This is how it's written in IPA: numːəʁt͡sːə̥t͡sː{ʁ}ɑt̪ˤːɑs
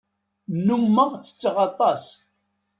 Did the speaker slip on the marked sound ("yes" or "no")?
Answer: no